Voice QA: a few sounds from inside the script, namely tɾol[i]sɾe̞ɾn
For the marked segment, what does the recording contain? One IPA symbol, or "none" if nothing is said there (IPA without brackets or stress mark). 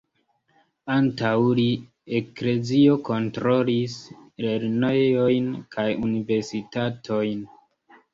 i